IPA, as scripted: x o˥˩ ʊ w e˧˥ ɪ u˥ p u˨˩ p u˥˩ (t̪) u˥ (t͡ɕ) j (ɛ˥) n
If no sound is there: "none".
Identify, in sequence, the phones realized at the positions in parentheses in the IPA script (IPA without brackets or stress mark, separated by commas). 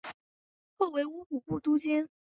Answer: t̪, t͡ɕ, ɛ˥